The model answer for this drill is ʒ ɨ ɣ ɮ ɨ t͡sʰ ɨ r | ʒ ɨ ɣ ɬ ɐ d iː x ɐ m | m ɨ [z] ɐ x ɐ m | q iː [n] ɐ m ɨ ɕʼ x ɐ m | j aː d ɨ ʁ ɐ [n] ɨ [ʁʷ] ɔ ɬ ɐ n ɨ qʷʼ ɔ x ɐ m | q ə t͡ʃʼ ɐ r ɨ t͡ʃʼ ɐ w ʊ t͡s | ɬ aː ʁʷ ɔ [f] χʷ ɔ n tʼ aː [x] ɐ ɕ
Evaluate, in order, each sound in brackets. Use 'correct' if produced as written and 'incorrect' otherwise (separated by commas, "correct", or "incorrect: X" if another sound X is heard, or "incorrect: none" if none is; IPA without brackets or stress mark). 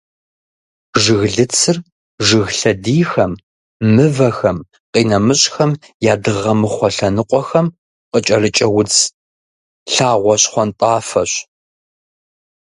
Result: incorrect: v, correct, incorrect: m, incorrect: χʷ, incorrect: ɕ, incorrect: f